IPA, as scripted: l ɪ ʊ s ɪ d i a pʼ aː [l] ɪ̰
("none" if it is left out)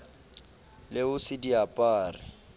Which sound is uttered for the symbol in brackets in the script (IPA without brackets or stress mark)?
r